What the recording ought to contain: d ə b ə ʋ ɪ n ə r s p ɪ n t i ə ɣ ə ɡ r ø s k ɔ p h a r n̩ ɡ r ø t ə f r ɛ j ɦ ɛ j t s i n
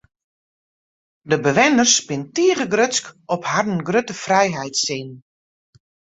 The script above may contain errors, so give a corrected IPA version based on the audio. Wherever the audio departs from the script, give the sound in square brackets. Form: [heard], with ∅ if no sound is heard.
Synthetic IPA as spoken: d ə b ə ʋ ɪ n ə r s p ɪ n t i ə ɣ ə ɡ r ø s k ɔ p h a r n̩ ɡ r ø t ə f r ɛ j ɦ ɛ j t s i n